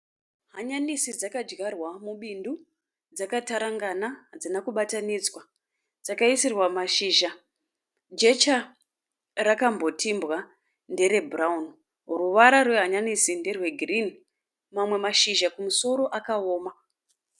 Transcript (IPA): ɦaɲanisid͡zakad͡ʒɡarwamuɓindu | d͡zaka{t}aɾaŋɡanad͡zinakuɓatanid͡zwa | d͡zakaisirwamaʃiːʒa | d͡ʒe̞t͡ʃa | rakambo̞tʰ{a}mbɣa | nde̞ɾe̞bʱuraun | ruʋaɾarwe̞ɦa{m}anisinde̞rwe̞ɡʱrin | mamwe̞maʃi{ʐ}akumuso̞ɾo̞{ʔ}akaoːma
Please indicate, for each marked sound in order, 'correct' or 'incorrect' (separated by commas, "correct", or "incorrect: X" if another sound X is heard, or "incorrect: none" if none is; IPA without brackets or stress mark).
correct, incorrect: i, incorrect: ɲ, incorrect: ʒ, correct